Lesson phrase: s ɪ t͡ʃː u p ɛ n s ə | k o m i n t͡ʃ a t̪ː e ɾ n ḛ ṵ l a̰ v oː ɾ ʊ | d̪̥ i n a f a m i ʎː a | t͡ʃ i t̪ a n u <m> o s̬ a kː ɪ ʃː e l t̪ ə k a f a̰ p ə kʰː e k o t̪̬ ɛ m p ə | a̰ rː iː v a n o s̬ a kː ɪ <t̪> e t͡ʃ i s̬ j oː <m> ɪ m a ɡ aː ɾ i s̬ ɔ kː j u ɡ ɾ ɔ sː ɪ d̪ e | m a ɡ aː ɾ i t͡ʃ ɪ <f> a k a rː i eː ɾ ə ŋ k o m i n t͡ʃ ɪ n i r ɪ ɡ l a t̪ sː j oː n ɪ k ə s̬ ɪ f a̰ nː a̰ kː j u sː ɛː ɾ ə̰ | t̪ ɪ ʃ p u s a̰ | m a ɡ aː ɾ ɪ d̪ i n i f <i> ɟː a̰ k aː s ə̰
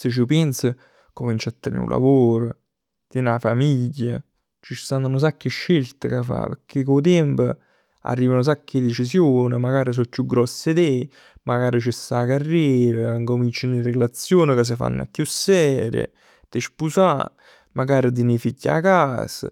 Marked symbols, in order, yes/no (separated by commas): no, no, no, no, yes